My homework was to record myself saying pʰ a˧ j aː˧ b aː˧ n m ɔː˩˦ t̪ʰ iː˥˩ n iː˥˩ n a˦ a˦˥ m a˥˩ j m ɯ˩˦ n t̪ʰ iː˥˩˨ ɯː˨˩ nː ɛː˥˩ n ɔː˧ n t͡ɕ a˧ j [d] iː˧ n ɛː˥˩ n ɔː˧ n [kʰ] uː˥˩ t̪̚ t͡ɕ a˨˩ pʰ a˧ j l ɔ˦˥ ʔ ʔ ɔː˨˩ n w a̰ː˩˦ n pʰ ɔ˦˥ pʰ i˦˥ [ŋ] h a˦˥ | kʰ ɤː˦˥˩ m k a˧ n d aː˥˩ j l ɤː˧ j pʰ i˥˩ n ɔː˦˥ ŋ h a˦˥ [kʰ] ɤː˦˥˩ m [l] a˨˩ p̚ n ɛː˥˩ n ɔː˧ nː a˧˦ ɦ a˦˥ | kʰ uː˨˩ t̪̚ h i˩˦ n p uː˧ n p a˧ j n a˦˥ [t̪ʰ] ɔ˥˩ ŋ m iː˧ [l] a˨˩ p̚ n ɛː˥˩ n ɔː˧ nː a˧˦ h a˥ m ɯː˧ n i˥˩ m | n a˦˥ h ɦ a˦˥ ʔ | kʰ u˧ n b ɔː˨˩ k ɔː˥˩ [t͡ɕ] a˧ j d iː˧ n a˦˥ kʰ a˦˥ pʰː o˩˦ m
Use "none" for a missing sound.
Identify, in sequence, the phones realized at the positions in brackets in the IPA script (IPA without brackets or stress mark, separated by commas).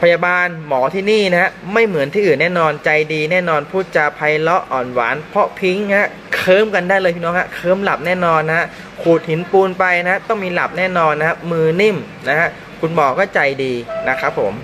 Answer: d, pʰ, ŋ, kʰ, l, t̪, l, t͡ɕ